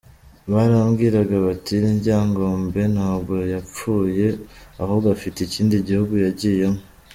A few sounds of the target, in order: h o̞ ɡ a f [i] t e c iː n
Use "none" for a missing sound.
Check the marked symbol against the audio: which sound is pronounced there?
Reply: i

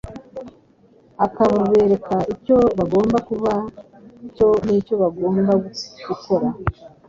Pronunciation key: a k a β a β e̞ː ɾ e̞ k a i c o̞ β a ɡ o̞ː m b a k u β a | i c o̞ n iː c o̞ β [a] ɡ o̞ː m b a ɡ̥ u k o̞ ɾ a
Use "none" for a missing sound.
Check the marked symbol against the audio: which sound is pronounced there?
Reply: a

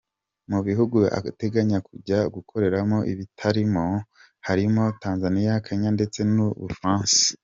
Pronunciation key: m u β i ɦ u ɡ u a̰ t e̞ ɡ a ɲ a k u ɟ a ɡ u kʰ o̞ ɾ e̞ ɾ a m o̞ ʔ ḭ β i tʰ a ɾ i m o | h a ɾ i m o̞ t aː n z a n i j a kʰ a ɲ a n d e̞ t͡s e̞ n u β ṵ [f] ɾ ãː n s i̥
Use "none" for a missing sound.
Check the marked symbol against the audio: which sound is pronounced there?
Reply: f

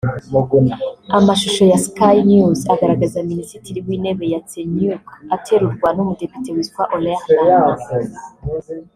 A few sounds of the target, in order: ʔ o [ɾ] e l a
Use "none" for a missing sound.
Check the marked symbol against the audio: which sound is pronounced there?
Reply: l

